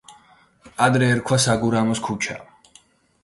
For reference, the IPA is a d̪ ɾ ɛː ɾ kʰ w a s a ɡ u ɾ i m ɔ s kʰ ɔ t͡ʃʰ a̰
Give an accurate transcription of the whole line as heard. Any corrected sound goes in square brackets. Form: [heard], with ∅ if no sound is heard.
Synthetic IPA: a d̪ ɾ ɛː ɾ kʰ w a s a ɡ u ɾ [a] m ɔ s kʰ [u] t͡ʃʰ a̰